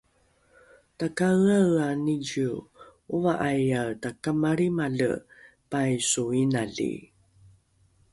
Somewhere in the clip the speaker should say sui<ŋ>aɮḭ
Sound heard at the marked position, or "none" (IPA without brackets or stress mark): n